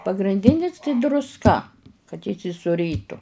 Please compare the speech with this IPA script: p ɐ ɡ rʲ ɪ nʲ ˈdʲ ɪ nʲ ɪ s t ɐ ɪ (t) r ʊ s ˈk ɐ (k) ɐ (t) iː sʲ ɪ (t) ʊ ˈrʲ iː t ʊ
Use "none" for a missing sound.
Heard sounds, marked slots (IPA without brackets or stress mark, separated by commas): d, k, t, s